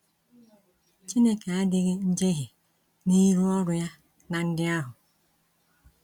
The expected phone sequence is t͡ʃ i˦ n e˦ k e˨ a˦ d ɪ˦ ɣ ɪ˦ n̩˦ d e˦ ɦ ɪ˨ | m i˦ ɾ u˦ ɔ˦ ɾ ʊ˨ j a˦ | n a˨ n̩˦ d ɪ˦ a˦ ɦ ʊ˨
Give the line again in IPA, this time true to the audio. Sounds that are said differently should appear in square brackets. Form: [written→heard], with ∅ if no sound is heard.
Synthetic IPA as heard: t͡ʃ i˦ n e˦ k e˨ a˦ d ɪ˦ ɣ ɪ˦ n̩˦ [d→d͡ʒ] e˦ ɦ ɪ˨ | [m→n] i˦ ɾ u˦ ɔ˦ ɾ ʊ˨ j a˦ | n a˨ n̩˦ d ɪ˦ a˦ ɦ ʊ˨